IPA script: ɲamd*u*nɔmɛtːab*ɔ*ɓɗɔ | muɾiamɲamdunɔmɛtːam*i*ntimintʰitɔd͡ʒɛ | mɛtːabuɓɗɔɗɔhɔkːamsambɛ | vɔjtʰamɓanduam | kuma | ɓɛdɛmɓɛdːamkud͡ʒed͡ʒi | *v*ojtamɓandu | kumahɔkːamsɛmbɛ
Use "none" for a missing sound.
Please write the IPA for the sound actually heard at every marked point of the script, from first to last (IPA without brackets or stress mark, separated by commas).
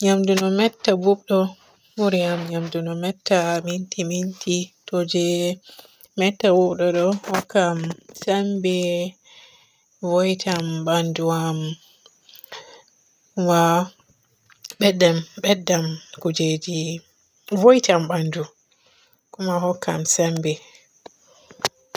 u, u, i, v